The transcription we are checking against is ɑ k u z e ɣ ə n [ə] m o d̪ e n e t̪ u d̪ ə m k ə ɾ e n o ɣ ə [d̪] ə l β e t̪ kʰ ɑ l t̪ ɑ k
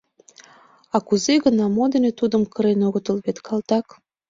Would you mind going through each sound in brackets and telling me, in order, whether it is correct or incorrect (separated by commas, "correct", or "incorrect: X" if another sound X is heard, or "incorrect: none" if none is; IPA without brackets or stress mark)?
incorrect: ɑ, incorrect: t̪